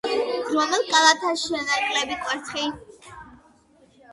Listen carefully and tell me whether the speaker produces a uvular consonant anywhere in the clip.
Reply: yes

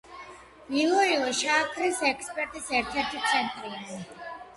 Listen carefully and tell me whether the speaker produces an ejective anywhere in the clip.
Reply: yes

